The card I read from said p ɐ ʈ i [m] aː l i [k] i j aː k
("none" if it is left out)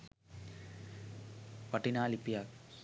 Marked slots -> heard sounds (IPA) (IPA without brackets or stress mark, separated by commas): n, p